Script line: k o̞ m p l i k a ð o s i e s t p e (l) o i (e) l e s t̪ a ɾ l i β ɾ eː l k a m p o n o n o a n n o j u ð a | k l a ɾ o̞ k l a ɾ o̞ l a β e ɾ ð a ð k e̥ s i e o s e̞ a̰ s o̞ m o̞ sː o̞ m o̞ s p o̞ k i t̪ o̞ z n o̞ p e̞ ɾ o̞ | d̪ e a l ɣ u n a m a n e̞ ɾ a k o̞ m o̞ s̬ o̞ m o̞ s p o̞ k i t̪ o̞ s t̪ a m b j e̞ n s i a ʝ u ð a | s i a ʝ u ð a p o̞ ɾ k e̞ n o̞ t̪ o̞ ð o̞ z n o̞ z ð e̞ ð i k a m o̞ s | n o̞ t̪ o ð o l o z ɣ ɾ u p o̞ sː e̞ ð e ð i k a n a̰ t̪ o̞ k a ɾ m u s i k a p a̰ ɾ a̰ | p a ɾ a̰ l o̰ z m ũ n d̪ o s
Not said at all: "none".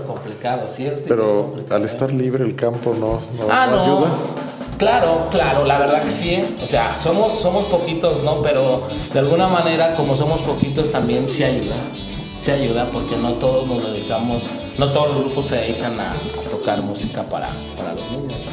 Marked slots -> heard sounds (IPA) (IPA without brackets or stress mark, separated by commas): ɾ, a